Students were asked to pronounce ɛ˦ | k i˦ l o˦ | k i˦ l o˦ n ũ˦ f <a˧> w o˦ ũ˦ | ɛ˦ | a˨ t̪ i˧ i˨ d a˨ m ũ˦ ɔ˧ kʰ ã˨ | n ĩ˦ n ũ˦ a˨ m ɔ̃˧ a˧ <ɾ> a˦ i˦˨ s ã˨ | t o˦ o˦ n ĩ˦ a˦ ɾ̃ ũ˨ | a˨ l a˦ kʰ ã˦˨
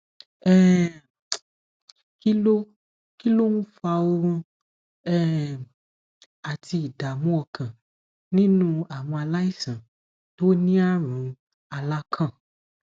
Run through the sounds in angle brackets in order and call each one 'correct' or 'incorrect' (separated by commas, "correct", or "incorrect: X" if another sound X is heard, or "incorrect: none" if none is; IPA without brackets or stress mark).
correct, incorrect: l